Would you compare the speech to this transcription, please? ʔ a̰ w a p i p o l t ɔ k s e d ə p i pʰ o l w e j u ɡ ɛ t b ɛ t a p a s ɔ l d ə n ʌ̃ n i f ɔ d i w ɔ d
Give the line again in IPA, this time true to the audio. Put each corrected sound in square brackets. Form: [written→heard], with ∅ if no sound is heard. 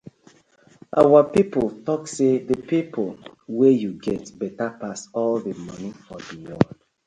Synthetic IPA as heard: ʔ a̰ w a p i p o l t ɔ k s e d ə p i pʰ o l w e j u ɡ ɛ t b ɛ t a p a s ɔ l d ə [n→m] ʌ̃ n i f ɔ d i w ɔ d